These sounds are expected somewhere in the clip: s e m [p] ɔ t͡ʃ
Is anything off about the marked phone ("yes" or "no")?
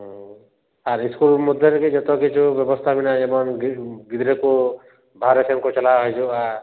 yes